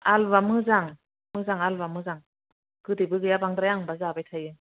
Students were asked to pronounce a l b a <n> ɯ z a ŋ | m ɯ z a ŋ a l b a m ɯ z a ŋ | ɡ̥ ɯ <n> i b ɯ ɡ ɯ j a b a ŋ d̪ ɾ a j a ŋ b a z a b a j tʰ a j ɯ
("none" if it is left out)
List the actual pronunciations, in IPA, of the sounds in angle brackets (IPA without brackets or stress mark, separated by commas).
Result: m, d